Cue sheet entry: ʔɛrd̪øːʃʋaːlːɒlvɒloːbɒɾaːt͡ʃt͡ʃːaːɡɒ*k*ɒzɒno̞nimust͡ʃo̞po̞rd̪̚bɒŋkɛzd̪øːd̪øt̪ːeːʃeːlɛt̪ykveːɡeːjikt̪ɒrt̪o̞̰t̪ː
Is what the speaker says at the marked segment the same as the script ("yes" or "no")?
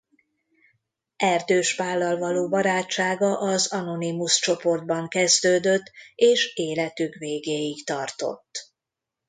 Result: no